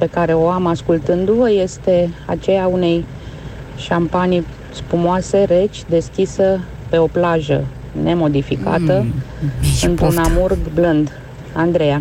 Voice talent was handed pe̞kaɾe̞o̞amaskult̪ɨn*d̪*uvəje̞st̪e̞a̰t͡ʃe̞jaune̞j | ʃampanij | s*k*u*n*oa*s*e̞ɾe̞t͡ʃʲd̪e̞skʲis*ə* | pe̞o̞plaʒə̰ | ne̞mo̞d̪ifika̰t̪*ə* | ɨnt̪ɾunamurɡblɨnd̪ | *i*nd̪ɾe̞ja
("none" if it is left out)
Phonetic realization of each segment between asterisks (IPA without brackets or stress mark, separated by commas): d̪, p, m, s, ə, ə, a